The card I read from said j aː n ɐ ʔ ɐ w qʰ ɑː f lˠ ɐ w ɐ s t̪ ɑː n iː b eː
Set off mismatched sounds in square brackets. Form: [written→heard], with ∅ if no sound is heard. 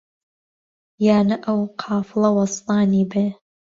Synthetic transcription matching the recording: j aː n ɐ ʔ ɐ w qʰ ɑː f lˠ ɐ w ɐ s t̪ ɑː n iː b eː